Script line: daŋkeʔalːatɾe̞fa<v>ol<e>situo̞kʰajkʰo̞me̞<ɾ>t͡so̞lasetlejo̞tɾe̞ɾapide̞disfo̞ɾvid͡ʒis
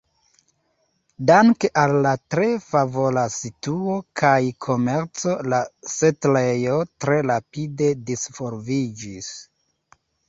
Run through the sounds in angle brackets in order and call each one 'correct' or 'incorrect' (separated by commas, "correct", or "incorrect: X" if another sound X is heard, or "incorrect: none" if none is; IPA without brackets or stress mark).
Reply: correct, incorrect: a, correct